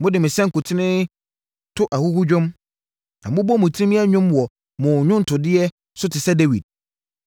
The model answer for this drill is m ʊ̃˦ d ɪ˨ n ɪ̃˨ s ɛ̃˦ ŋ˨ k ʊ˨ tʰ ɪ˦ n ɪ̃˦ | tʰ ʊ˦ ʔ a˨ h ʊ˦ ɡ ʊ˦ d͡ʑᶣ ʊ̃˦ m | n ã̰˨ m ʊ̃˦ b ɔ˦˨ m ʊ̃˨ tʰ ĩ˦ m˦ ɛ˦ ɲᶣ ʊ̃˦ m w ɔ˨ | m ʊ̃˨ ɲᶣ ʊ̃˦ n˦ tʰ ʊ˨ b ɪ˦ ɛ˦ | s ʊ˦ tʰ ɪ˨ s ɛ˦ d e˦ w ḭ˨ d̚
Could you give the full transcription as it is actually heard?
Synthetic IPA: m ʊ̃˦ d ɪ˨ m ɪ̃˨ s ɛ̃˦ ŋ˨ k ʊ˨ tʰ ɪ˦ n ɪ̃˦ | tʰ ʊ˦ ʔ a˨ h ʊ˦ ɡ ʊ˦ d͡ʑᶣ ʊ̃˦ m | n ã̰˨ m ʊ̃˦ b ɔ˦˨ m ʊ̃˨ tʰ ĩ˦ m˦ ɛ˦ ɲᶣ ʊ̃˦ m w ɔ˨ | m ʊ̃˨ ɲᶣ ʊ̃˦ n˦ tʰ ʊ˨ d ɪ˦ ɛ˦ | s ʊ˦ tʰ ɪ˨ s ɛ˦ d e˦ w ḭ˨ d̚